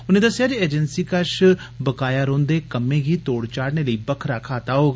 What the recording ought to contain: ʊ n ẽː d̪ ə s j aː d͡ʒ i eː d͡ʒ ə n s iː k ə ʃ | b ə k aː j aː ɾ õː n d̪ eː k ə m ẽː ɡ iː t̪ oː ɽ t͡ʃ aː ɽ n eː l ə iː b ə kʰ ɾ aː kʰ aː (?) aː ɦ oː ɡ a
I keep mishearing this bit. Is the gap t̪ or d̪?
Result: t̪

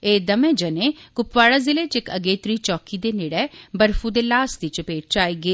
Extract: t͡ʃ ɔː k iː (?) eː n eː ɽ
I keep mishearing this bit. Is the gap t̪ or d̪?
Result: d̪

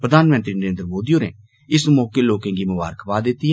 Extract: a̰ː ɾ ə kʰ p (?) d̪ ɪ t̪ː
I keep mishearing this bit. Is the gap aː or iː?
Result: aː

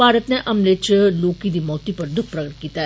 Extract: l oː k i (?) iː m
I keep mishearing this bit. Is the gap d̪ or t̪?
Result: d̪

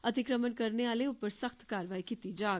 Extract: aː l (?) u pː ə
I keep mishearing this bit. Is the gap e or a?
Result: e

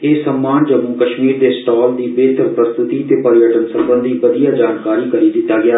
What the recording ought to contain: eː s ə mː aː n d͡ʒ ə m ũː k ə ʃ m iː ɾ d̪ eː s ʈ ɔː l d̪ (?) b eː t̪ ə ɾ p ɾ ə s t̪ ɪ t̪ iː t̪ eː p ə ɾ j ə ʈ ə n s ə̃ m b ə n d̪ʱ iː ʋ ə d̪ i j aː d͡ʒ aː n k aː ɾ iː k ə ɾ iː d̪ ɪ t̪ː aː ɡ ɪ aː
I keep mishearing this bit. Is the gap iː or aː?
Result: iː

